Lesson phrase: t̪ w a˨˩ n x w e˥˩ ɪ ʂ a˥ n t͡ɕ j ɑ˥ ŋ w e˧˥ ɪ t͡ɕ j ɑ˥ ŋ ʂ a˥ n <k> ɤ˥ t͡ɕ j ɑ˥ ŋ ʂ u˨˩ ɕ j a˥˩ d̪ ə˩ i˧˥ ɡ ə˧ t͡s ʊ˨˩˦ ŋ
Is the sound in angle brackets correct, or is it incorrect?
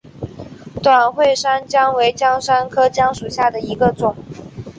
incorrect